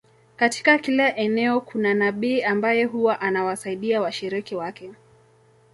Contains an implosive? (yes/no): yes